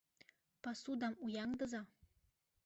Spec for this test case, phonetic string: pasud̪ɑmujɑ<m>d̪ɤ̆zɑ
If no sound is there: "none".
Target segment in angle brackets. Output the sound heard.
ŋ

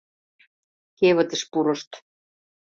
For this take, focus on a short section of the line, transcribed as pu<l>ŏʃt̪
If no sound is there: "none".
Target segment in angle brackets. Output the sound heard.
ɾ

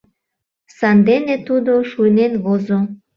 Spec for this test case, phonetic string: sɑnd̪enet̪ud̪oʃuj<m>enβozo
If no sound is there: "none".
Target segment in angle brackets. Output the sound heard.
n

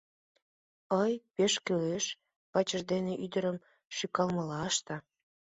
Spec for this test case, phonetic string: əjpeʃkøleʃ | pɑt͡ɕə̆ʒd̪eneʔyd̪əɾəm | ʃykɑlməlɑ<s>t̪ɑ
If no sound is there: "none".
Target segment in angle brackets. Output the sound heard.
ʃ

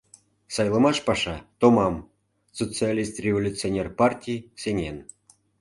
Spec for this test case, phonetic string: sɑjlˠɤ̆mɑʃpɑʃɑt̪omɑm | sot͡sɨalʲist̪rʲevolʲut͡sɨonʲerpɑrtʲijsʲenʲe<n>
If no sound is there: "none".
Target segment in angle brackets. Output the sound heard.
n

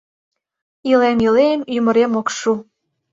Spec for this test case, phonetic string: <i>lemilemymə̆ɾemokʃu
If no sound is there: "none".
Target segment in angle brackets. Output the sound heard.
i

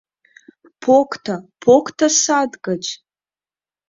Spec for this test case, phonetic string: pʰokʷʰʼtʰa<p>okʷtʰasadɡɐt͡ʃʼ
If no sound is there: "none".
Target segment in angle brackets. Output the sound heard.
pʰ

